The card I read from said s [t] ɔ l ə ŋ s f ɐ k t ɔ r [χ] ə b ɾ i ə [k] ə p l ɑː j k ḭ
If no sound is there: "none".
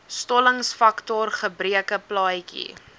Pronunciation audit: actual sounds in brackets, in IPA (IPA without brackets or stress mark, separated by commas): t, χ, k